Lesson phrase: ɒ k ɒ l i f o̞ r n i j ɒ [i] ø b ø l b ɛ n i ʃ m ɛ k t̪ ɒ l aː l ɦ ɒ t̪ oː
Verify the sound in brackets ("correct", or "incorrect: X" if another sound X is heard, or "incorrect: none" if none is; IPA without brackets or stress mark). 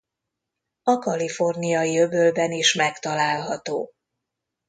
correct